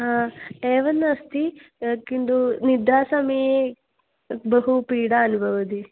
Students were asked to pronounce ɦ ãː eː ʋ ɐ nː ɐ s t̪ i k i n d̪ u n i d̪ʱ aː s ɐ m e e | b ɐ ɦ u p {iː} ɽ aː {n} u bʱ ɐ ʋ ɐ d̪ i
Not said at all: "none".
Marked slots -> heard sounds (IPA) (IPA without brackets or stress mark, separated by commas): iː, n